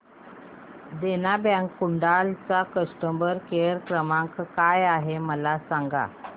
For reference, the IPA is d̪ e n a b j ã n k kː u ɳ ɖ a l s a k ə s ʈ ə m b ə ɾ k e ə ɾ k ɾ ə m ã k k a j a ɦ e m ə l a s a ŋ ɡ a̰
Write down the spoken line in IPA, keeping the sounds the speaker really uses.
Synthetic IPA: d̪ e n a b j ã ŋ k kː u ɳ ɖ a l t͡s a k ə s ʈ ə m b ə ɾ k e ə ɾ k ɾ ə m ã k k a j a ɦ e m ə l a s a ŋ ɡ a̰